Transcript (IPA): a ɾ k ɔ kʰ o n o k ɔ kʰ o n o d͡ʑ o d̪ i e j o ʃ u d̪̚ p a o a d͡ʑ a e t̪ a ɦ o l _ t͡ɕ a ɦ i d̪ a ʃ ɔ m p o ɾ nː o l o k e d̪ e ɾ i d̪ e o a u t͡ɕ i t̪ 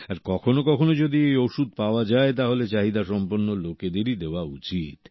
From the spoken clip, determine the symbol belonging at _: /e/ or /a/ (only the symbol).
e